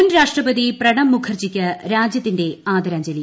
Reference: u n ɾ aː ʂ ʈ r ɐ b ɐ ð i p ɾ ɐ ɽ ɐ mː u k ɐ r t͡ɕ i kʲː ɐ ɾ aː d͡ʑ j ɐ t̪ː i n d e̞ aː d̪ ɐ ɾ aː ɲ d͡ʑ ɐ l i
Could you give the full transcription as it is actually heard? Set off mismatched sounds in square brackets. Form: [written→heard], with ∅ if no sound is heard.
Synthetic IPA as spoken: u n ɾ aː ʂ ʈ r ɐ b ɐ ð i p [ɾ→r] ɐ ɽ ɐ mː u [k→kʰ] ɐ r t͡ɕ i kʲː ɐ ɾ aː d͡ʑ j ɐ t̪ː i n d e̞ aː d̪ ɐ ɾ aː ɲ d͡ʑ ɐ l i